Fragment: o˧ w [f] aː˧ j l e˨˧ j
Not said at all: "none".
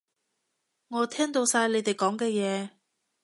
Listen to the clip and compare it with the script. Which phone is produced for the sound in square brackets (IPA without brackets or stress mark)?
s